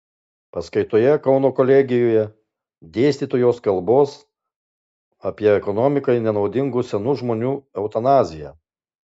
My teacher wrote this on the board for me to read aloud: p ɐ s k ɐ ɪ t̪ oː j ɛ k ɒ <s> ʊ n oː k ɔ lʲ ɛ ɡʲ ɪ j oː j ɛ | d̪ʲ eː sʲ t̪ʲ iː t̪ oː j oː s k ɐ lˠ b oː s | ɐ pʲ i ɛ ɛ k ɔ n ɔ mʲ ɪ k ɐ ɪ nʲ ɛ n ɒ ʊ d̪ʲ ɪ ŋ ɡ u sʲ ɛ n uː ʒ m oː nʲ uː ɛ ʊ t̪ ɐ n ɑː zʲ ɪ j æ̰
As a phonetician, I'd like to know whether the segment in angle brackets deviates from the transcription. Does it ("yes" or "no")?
yes